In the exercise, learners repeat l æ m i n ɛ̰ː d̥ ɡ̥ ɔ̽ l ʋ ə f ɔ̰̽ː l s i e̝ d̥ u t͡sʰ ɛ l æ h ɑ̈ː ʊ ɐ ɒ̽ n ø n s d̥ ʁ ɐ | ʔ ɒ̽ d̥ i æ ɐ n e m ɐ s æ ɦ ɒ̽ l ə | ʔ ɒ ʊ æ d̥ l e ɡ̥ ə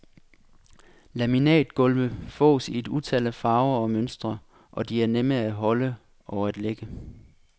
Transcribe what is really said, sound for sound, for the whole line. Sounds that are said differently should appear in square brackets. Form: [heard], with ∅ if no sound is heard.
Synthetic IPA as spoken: l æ m i n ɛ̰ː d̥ ɡ̥ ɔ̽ l ʋ ə f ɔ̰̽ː [∅] s i e̝ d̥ u t͡sʰ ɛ l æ [f] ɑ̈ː ʊ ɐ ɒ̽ [m] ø n s d̥ ʁ ɐ | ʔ ɒ̽ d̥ i æ ɐ n e m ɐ [∅] æ ɦ ɒ̽ l ə | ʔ ɒ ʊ æ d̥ l e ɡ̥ ə

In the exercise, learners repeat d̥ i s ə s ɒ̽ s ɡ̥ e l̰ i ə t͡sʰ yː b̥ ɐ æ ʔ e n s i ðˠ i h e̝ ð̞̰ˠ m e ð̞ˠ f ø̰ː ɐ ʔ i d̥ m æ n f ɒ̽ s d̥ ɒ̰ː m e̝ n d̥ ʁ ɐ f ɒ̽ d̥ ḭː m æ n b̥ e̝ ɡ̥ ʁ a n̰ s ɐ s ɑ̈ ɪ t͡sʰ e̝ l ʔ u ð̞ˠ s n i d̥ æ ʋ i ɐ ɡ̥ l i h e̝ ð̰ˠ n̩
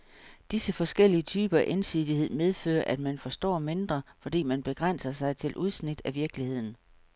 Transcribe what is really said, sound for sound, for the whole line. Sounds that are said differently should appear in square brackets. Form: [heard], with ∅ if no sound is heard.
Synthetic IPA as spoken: d̥ i s ə [f] ɒ̽ s ɡ̥ e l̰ i ə t͡sʰ yː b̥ ɐ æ ʔ e n s i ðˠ i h e̝ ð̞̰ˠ m e ð̞ˠ f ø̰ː ɐ ʔ [æ] d̥ m æ n f ɒ̽ s d̥ ɒ̰ː m e̝ n d̥ ʁ ɐ f ɒ̽ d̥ ḭː m æ n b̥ e̝ ɡ̥ ʁ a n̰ s ɐ s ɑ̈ ɪ t͡sʰ e̝ l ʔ u ð̞ˠ s n i d̥ æ ʋ i ɐ ɡ̥ l i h e̝ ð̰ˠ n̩

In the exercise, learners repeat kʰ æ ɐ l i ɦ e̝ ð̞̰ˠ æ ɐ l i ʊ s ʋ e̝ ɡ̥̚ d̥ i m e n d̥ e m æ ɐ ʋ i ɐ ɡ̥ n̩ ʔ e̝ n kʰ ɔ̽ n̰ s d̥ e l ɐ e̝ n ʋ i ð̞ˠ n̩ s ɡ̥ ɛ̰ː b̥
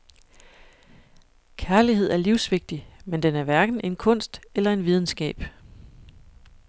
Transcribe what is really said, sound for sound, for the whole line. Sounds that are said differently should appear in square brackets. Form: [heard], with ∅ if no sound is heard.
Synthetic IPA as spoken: kʰ æ ɐ l i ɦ e̝ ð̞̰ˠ æ ɐ l i ʊ s ʋ e̝ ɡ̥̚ d̥ i m e n d̥ e [n] æ ɐ ʋ [æ] ɐ ɡ̥ n̩ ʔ e̝ n kʰ ɔ̽ n̰ s d̥ e l ɐ e̝ n ʋ i ð̞ˠ n̩ s ɡ̥ ɛ̰ː b̥

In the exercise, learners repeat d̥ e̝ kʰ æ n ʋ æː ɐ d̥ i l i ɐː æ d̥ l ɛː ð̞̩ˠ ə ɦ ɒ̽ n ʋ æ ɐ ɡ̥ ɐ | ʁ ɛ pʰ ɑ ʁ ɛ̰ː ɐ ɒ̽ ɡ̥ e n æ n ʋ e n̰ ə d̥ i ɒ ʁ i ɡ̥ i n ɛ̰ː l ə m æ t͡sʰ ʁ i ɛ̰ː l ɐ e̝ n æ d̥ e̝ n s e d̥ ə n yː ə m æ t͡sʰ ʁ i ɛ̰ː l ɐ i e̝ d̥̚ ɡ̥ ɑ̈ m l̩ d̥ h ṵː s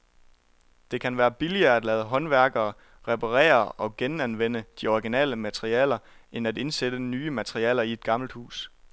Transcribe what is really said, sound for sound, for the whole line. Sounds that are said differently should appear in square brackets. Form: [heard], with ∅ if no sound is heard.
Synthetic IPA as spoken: d̥ e̝ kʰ æ n ʋ æː ɐ [b̥] i l i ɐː æ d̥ l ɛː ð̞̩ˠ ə ɦ ɒ̽ n ʋ æ ɐ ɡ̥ [ɐː] | ʁ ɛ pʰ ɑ ʁ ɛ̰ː ɐ ɒ̽ ɡ̥ e n æ n ʋ e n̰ ə d̥ i ɒ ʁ i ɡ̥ i n ɛ̰ː l ə m æ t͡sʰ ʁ i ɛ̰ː l ɐ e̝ n æ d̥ e̝ n s e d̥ ə n yː ə m æ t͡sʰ ʁ i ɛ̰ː l ɐ i e̝ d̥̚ ɡ̥ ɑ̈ m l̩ d̥ h ṵː s

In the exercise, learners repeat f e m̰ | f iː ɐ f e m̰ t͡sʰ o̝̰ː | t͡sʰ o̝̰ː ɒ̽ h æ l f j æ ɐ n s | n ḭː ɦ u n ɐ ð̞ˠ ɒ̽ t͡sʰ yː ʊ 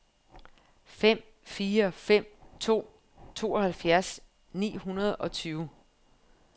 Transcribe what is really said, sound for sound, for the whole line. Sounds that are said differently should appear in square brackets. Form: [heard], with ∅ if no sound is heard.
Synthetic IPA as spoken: f e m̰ | f iː ɐ f e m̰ t͡sʰ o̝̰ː | t͡sʰ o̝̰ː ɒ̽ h æ l f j æ ɐ [∅] s | n ḭː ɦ u n ɐ ð̞ˠ ɒ̽ t͡sʰ yː ʊ

